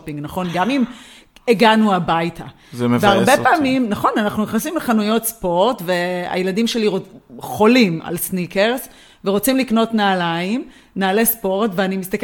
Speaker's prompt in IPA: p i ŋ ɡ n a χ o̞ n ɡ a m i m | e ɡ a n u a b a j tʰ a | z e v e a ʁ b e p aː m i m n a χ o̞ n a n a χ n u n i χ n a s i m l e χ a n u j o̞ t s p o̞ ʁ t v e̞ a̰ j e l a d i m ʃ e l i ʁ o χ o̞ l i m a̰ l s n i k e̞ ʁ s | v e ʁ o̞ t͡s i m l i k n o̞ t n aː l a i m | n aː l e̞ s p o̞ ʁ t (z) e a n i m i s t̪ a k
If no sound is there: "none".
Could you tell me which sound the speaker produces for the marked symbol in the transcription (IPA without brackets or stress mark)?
v